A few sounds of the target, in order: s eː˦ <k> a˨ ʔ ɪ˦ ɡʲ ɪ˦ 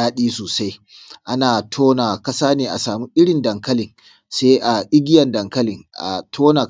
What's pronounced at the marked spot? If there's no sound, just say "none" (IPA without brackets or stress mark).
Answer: ʔ